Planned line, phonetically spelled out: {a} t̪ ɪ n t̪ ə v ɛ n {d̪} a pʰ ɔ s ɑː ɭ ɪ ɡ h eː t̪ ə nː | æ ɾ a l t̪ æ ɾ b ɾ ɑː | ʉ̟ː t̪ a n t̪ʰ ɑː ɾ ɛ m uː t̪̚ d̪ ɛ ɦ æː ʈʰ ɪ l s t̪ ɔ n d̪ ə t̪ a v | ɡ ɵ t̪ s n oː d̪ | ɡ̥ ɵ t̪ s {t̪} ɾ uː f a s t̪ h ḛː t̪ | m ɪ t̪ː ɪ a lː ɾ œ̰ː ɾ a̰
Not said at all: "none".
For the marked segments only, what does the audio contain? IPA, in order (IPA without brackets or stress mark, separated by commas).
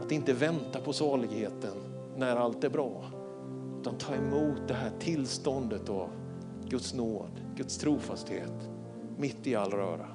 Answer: a, t̪, t̪ʰ